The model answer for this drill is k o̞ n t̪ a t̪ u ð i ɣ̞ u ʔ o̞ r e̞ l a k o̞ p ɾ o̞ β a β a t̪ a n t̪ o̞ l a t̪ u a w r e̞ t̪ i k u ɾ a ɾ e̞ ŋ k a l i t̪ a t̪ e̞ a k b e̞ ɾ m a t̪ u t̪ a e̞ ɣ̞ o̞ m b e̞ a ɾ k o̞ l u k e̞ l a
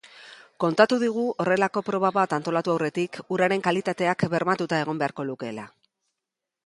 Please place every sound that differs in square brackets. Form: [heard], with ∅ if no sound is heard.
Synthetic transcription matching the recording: k o̞ n t̪ a t̪ u ð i ɣ̞ u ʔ o̞ r e̞ l a k o̞ p ɾ o̞ β a β a t̪ a n t̪ o̞ l a t̪ u a w r e̞ t̪ i k u ɾ a ɾ e̞ ŋ k a l i t̪ a t̪ e̞ a k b e̞ ɾ m a t̪ u t̪ a e̞ ɣ̞ o̞ m b e̞ a ɾ k o̞ l u k e̞ l a